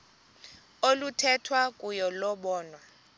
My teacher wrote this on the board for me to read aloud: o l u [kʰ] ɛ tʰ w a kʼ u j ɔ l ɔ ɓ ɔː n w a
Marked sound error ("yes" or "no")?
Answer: yes